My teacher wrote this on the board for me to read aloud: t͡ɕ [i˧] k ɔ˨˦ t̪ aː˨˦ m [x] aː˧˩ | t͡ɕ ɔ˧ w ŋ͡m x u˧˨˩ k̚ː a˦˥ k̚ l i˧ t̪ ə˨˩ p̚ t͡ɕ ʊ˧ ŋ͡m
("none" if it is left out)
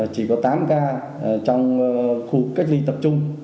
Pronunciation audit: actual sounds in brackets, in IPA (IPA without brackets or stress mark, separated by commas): i˨˩, k